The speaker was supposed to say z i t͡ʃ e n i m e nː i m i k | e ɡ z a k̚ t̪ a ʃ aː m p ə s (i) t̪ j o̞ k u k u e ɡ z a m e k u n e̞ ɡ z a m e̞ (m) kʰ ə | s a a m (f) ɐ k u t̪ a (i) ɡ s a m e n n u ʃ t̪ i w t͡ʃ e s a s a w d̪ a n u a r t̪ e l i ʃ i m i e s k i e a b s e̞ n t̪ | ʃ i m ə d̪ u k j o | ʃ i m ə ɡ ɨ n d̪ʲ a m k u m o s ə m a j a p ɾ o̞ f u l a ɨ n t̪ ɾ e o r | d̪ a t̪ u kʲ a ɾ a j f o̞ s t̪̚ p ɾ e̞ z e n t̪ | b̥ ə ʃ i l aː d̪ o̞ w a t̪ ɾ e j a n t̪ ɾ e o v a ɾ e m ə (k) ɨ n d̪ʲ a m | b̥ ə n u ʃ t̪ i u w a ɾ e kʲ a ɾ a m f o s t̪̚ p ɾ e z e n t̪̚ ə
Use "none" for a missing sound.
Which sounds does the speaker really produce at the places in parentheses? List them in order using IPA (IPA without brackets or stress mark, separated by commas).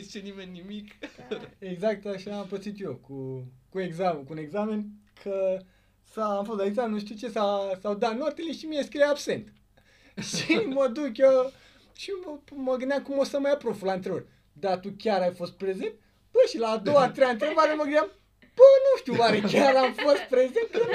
i, n, f, i, ɡ